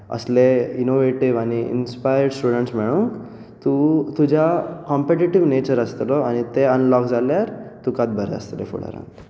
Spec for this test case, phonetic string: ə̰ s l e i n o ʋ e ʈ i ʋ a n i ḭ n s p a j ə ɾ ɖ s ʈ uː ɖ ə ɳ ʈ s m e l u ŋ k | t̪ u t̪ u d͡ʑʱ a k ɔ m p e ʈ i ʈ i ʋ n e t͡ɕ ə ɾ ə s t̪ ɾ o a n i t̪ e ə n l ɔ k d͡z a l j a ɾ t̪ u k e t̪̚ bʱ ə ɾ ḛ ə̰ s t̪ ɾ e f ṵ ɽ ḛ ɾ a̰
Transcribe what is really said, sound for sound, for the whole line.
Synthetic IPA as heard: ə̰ s l e i n o ʋ e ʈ i ʋ a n i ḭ n s p a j ə ɾ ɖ s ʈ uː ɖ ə ɳ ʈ s m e ɭ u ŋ k | t̪ u t̪ u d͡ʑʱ a k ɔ m p e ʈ i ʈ i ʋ n e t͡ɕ ə ɾ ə s t̪ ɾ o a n i t̪ e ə n l ɔ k d͡z a l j a ɾ t̪ u k a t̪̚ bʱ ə ɾ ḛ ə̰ s t̪ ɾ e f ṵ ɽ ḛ ɾ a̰

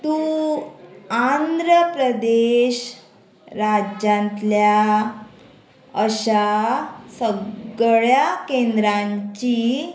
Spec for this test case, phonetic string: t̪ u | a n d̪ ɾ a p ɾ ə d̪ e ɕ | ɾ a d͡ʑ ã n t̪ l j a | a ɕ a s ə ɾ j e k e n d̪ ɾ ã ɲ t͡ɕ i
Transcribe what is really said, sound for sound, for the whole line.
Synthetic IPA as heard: t̪ u | a n d̪ ɾ ə p ɾ ə d̪ e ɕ | ɾ a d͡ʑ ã n t̪ l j a | ə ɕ a s ə ɭ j a k e n d̪ ɾ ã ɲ t͡ɕ i

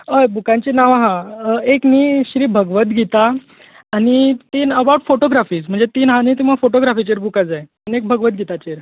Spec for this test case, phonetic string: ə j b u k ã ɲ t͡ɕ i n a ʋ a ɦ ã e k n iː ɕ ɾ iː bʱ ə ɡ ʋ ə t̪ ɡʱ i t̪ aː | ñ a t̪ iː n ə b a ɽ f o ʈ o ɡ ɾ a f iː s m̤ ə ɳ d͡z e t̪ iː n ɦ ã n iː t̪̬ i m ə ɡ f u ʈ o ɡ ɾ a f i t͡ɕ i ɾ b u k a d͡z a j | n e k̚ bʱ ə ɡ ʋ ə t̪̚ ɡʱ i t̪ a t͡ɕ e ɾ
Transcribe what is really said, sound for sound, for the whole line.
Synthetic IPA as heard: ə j b u k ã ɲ t͡ɕ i n a ʋ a ɦ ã e k n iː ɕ ɾ iː bʱ ə ɡ ʋ ə t̪ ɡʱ i t̪ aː | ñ i t̪ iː n ə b a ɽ f o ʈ o ɡ ɾ a f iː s m̤ ə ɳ d͡z e t̪ iː n ɦ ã n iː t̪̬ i m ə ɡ f o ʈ o ɡ ɾ a f i t͡ɕ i ɾ b u k a d͡z a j | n e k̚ bʱ ə ɡ ʋ ə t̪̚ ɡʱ i t̪ a t͡ɕ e ɾ

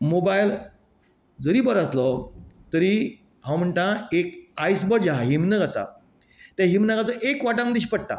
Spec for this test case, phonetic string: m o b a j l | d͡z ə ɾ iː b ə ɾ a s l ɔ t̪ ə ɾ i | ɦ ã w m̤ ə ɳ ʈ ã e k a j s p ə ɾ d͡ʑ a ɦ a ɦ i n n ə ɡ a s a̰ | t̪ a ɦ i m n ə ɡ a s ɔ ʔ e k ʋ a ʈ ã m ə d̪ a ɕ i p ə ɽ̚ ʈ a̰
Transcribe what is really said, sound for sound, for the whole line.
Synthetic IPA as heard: m o b a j l | d͡z ə ɾ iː b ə ɾ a s l ɔ t̪ ə ɾ i | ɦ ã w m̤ ə ɳ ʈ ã e k a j s b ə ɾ d͡ʑ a ɦ a ɦ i m n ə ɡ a s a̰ | t̪ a ɦ i m n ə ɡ a t͡s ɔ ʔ e k ʋ a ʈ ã m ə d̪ i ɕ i p ə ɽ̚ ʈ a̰

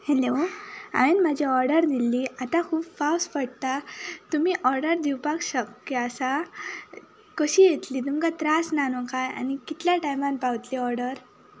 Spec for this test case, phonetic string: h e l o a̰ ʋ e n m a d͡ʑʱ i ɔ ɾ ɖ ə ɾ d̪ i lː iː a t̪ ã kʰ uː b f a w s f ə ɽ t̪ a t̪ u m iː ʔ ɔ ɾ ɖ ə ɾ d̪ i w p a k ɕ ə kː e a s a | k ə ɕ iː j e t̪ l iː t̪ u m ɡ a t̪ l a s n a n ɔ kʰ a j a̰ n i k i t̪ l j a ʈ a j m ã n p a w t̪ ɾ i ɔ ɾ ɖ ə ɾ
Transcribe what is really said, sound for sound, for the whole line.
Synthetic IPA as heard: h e l o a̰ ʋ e n m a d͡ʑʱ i ɔ ɾ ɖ ə ɾ d̪ i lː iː a t̪ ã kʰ uː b f a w s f ə ɽ t̪ a t̪ u m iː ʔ ɔ ɾ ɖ ə ɾ d̪ i w p a k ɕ ə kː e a s a | k ə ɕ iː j e t̪ l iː t̪ u m k a t̪ ɾ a s n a n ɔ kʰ a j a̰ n i k i t̪ l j a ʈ a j m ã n p a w t̪ l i ɔ ɾ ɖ ə ɾ

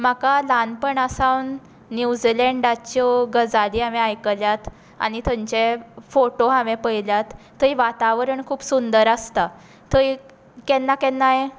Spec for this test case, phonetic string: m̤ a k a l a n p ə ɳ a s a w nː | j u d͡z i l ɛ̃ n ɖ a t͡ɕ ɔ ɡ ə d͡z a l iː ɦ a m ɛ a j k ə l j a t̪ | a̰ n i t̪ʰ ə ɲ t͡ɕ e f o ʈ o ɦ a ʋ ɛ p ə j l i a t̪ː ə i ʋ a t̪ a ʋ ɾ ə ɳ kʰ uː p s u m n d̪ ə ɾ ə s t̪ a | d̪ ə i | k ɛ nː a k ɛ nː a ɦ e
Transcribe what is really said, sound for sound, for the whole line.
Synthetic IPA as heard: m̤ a k a l a n p ə ɳ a s a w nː | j u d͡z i l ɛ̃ ɳ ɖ a t͡ɕ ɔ ɡ ə d͡z a l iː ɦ a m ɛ a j k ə l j a t̪ | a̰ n i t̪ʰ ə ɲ t͡ɕ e f o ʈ o ɦ a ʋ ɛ p ə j l j a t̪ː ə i ʋ a t̪ a ʋ ɾ ə ɳ kʰ uː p s u n d̪ ə ɾ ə s t̪ a | t̪ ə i | k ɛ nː a k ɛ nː a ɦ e

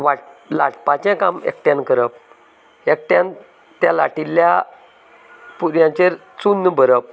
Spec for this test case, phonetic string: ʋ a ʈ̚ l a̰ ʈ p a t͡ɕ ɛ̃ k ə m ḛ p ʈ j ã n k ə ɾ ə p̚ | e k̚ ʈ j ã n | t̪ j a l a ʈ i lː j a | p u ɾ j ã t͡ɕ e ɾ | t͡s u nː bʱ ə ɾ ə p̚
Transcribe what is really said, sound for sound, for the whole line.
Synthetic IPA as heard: ʋ a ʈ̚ l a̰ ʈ p a t͡ɕ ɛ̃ k a m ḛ k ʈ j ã n k ə ɾ ə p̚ | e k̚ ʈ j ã n | t̪ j a l a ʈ i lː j a | p u ɾ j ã t͡ɕ e ɾ | t͡s u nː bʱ ə ɾ ə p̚

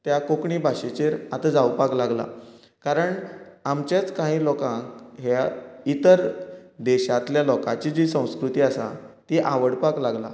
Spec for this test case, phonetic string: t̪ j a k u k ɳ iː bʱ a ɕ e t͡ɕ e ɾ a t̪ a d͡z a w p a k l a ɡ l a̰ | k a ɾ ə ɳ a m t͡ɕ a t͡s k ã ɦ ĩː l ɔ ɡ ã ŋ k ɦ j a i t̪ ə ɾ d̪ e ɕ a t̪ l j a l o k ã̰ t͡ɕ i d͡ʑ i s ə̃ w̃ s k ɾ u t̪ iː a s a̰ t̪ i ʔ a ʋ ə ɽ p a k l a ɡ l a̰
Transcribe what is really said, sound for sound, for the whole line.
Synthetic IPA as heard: t̪ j a k o k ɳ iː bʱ a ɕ e t͡ɕ e ɾ a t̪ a d͡z a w p a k l a ɡ l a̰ | k a ɾ ə ɳ a m t͡ɕ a t͡s k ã ɦ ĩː l ɔ k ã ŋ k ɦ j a i t̪ ə ɾ d̪ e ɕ a t̪ l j a l ɔ k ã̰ t͡ɕ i d͡ʑ i s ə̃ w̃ s k ɾ u t̪ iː a s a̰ t̪ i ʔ a ʋ ə ɽ p a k l a ɡ l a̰

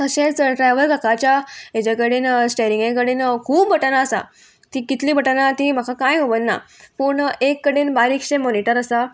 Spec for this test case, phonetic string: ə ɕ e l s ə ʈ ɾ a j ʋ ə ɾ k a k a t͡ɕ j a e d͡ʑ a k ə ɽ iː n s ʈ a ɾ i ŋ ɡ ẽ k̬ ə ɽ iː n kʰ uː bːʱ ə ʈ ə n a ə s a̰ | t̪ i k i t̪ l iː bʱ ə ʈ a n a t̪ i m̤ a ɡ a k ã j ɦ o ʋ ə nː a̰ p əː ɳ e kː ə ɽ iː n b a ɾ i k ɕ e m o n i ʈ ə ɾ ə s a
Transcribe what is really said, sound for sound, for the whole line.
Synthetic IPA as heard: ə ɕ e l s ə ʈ ɾ a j ʋ ə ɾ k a k a t͡ɕ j a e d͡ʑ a k ə ɽ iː n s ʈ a ɾ i ŋ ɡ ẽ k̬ ə ɽ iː n kʰ uː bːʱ ə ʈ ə n a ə s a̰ | t̪ i k i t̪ l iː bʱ ə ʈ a n a t̪ i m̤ a k a k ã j ɦ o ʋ ə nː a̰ p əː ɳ e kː ə ɽ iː n b a ɾ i k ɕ e m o n i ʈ ə ɾ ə s a

